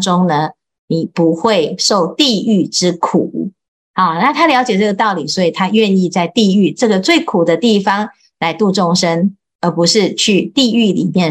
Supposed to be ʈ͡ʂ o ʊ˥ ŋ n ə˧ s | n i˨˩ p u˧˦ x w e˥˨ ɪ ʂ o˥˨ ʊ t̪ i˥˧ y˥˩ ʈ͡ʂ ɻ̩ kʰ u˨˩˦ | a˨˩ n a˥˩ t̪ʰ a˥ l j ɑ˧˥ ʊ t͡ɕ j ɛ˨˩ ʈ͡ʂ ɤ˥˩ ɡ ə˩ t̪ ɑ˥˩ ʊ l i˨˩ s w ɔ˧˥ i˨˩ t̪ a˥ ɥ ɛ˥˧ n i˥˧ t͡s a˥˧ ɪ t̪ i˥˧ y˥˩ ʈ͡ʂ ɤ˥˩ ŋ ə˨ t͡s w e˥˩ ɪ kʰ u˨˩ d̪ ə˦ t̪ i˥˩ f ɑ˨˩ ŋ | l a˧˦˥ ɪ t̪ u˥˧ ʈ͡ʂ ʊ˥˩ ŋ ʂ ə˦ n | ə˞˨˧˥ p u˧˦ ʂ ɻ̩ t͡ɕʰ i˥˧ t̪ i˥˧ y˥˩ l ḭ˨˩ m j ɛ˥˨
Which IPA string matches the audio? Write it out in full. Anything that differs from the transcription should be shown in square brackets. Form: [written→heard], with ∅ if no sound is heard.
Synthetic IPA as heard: ʈ͡ʂ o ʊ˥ ŋ n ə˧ [s→∅] | n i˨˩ p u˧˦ x w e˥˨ ɪ ʂ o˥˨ ʊ t̪ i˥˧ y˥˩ ʈ͡ʂ ɻ̩ kʰ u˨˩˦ | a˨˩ n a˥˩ t̪ʰ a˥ l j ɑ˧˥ ʊ t͡ɕ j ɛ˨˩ ʈ͡ʂ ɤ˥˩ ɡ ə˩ t̪ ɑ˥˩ ʊ l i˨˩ s w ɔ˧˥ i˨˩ [t̪→t̪ʰ] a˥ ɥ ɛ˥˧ n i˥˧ t͡s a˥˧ ɪ t̪ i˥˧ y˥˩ ʈ͡ʂ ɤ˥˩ [ŋ→ɡ] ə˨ t͡s w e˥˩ ɪ kʰ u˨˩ d̪ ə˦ t̪ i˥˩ f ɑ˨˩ ŋ | l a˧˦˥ ɪ t̪ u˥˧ ʈ͡ʂ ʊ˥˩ ŋ ʂ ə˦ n | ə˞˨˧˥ p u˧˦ ʂ ɻ̩ t͡ɕʰ [i˥˧→y˥˧] t̪ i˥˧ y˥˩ l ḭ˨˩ m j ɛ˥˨